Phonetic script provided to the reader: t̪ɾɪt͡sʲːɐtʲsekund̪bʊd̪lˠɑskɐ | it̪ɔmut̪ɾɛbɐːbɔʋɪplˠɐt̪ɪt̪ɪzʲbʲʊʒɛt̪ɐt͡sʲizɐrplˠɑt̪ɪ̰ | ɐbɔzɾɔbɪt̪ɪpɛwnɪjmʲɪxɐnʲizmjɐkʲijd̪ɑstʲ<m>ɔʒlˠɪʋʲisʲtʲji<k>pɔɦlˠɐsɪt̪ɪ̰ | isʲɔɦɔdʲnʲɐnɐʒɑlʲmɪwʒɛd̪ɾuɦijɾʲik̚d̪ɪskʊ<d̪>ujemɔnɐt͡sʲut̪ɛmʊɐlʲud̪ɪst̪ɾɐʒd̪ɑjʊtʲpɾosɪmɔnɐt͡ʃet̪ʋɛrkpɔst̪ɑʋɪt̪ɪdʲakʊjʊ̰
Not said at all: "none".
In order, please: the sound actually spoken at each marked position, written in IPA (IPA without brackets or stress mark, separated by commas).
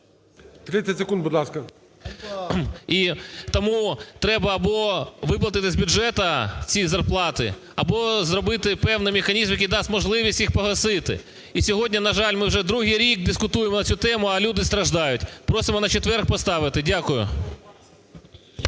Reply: m, x, t̪